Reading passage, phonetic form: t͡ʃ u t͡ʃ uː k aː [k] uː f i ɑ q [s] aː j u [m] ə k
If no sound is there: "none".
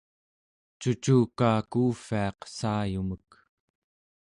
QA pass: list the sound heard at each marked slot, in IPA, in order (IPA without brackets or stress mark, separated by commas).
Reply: k, s, m